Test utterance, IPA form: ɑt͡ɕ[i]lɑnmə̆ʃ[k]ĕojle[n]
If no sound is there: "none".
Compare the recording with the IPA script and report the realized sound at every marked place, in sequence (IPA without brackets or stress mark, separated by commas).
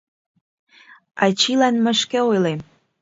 i, k, m